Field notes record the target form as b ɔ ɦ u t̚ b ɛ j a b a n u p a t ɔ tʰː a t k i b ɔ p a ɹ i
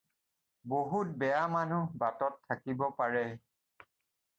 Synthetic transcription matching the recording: b o ɦ u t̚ b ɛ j a m a n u b a t ɔ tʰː a k i b ɔ p a ɹ ɛ

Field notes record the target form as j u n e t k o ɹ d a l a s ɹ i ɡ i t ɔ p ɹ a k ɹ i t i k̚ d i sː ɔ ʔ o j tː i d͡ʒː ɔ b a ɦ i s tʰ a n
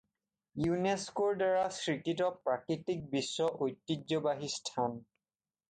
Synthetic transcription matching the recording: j u n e s k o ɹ d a ɹ a s ɹ i k i t ɔ p ɹ a k ɹ i t i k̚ b i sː ɔ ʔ o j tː i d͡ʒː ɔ b a ɦ i s tʰ a n

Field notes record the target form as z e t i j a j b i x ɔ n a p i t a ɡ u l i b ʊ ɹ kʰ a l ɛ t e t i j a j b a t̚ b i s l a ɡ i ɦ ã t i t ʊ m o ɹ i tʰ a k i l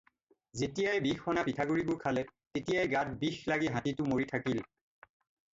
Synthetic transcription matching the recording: z e t i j a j b i x ɔ n a p i tʰ a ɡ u ɹ i b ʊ ɹ kʰ a l ɛ t e t i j a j ɡ a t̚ b i x l a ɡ i ɦ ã t i t ʊ m o ɹ i tʰ a k i l

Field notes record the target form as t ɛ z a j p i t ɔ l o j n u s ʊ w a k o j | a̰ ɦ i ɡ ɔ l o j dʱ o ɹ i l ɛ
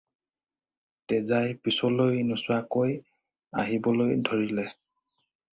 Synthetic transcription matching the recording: t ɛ z a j p i s ɔ l o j n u s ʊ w a k o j | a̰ ɦ i b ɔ l o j dʱ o ɹ i l ɛ

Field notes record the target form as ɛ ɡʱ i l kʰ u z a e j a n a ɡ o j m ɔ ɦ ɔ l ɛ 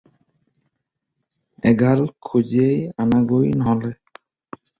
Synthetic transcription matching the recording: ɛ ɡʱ a l kʰ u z i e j a n a ɡ o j n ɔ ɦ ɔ l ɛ

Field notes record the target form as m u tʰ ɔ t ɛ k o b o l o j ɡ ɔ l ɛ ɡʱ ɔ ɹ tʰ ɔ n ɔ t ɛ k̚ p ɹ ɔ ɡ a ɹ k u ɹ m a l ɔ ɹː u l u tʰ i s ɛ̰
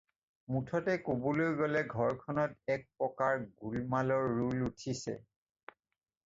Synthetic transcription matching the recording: m u tʰ ɔ t ɛ k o b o l o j ɡ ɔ l ɛ ɡʱ ɔ ɹ kʰ ɔ n ɔ t ɛ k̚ p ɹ ɔ k a ɹ ɡ u l m a l ɔ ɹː u l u tʰ i s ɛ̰

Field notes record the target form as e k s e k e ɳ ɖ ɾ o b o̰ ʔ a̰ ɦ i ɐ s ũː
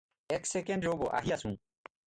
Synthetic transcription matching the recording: e k s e k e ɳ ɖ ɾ o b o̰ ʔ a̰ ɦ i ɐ s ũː

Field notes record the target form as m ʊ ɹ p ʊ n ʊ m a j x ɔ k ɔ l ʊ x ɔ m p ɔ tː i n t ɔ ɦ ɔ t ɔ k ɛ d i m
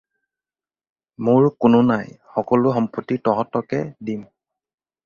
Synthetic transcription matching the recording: m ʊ ɹ k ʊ n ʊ n a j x ɔ k ɔ l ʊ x ɔ m p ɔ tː i t ɔ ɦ ɔ t ɔ k ɛ d i m

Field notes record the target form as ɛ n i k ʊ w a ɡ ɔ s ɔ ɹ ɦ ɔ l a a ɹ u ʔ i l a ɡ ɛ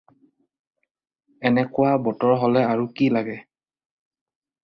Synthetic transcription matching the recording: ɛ n ɛ k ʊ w a b ɔ t ɔ ɹ ɦ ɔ l ɛ a ɹ u k i l a ɡ ɛ

